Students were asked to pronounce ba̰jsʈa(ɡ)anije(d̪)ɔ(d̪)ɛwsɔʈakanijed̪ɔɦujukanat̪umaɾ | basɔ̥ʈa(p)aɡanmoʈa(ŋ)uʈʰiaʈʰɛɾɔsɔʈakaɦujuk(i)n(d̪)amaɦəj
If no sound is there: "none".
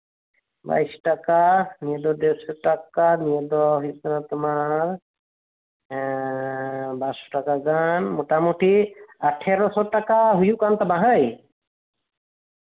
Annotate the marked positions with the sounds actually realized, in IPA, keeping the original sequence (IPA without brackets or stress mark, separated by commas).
k, d̪, d̪, k, m, a, t̪